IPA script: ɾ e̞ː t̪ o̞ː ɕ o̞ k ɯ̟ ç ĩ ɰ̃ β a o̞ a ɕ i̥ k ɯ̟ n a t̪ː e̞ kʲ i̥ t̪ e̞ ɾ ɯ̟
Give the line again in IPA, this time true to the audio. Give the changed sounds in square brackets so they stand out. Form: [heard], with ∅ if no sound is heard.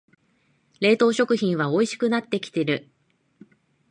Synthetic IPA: ɾ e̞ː t̪ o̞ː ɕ o̞ k ɯ̟ ç ĩ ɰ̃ β a o̞ [i] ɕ i̥ k ɯ̟ n a t̪ː e̞ kʲ i̥ t̪ e̞ ɾ ɯ̟